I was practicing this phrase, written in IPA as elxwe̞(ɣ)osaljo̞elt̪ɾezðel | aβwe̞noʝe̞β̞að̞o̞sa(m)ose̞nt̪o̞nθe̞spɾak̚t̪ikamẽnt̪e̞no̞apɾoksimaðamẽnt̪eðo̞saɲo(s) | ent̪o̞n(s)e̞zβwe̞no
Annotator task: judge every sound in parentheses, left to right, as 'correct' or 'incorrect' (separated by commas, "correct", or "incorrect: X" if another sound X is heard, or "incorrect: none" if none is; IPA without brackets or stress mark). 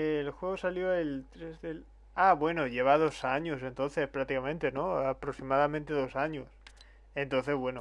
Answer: correct, incorrect: ɲ, correct, incorrect: θ